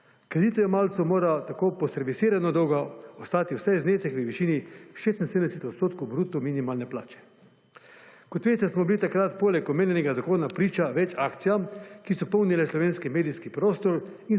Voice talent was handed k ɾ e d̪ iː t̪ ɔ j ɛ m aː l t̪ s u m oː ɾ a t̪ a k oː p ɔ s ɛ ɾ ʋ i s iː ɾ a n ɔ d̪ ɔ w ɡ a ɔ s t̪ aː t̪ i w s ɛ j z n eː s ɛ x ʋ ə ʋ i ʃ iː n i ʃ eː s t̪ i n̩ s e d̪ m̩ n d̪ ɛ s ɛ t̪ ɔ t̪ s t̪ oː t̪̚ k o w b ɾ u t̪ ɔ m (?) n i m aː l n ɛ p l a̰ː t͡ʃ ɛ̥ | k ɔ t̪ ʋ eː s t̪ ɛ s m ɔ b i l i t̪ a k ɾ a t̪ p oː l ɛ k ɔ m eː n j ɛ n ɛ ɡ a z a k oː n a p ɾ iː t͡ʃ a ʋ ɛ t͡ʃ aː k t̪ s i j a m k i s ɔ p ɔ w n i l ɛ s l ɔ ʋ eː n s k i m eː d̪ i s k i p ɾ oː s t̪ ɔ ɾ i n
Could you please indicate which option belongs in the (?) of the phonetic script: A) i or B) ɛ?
A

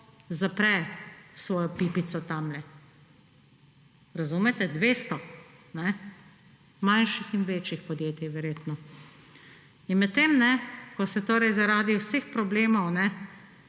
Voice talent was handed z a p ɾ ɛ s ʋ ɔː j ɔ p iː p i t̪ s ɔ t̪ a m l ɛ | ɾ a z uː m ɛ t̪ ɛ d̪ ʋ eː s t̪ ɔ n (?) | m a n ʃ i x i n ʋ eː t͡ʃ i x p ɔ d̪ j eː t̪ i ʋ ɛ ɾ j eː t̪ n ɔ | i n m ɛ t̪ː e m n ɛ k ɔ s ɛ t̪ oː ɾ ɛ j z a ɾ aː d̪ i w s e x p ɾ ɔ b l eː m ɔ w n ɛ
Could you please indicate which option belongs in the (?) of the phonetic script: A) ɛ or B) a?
A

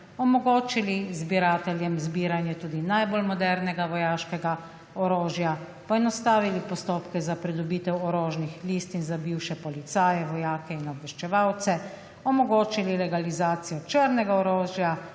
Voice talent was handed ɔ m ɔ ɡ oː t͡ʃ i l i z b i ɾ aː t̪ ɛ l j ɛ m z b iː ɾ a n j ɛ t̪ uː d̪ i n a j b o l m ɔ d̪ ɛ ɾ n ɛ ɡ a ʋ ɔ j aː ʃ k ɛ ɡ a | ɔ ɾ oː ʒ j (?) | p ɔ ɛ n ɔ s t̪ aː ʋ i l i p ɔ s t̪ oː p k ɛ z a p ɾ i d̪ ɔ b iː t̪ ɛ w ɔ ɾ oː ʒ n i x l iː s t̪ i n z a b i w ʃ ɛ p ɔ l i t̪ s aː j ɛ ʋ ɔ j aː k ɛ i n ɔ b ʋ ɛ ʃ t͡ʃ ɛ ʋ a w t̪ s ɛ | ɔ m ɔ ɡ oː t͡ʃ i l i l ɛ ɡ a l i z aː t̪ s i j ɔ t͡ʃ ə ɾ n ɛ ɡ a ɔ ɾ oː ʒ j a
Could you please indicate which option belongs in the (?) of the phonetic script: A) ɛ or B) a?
B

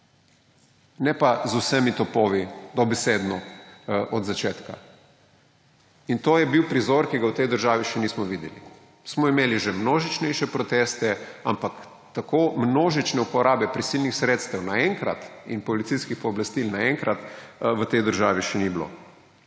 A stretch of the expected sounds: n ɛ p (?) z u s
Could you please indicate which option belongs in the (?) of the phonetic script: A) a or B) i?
A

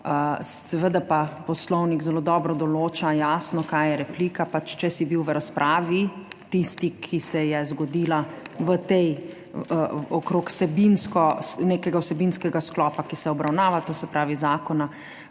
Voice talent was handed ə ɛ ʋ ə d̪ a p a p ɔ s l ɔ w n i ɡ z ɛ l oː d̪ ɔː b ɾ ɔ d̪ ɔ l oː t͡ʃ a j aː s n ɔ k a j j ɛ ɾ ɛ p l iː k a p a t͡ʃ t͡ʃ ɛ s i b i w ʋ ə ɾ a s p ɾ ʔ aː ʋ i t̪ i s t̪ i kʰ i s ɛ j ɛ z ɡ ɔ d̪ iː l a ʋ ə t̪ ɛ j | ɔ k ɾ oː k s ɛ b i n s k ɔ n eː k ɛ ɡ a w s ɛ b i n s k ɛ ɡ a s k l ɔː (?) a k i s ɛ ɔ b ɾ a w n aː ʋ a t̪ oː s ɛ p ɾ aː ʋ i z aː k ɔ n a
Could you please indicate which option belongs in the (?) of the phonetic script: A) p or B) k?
A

